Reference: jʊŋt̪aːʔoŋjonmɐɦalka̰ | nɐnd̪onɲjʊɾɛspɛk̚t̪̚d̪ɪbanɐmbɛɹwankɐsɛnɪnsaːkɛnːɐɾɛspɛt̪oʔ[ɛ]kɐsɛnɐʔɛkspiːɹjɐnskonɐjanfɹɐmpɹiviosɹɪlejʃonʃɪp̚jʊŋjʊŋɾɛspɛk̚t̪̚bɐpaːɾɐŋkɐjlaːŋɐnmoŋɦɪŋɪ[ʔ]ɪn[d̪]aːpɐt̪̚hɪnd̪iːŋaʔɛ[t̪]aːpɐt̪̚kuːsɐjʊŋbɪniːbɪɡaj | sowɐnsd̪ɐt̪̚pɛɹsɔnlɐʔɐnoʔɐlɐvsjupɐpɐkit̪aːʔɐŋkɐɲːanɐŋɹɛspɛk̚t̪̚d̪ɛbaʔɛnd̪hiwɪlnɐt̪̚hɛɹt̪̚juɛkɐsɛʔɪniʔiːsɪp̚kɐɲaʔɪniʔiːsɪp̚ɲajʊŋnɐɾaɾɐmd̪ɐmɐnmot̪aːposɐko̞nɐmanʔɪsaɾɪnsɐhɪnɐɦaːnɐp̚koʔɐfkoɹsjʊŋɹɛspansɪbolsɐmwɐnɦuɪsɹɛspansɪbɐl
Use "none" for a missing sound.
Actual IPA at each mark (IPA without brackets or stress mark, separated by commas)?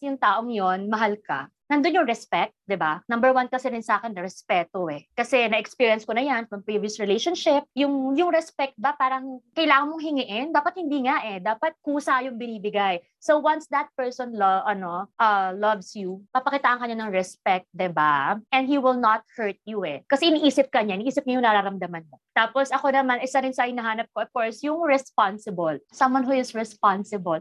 ɛ, ʔ, d̪, d̪